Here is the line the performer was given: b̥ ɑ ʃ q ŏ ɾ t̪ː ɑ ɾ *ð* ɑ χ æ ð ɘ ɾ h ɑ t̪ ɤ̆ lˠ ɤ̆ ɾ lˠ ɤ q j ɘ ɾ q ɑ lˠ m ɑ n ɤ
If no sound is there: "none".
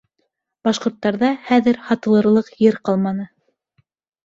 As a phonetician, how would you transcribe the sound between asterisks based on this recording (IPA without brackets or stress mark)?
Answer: ð